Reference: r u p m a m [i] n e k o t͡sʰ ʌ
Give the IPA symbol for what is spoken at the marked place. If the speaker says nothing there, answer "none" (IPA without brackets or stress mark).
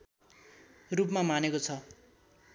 a